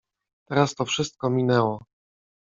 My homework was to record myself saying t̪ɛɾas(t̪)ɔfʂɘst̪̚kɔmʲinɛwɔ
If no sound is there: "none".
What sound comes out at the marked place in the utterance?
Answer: t̪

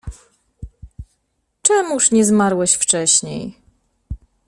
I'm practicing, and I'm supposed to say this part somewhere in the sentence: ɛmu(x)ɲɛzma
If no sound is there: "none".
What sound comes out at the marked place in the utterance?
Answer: ʂ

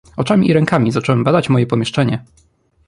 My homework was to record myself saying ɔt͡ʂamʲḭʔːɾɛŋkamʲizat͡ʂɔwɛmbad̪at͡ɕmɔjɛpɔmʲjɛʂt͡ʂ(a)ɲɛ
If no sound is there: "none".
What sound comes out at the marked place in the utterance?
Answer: ɛ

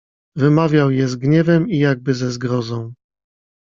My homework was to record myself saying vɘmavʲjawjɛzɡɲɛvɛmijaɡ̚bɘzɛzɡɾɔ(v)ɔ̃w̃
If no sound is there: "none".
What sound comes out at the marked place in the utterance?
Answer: z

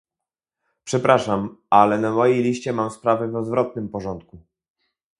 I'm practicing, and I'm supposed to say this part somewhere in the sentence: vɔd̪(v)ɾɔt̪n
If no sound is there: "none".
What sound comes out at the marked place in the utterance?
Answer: v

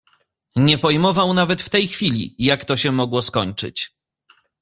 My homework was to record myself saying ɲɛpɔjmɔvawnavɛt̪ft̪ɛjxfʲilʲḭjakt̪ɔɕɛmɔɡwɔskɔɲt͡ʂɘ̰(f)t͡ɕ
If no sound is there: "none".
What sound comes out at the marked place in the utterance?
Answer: none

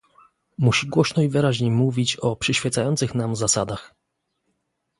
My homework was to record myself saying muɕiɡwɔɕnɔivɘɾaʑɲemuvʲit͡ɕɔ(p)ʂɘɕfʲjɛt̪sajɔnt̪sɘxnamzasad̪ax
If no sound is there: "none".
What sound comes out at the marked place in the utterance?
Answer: p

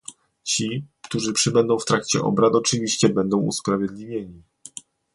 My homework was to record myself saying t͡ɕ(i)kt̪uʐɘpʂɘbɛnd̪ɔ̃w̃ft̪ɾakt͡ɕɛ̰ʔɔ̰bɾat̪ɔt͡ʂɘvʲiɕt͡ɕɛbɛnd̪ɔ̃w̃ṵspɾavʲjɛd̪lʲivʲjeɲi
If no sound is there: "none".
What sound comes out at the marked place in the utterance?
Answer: i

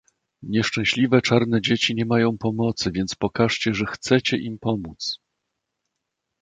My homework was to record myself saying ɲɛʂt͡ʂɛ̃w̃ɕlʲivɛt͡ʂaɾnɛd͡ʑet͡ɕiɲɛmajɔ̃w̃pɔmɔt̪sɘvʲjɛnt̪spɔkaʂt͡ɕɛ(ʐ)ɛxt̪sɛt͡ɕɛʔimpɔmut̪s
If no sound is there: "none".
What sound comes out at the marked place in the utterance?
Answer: ʐ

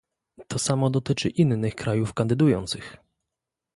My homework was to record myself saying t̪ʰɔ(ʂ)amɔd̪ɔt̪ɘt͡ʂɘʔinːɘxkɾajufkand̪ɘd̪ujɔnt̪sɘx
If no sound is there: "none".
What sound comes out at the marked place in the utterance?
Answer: s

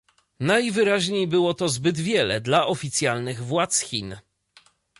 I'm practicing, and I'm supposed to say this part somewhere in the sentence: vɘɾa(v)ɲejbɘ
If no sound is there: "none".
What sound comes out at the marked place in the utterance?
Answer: ʑ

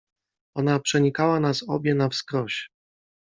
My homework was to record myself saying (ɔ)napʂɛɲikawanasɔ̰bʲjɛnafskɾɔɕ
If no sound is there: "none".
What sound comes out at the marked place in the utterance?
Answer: ɔ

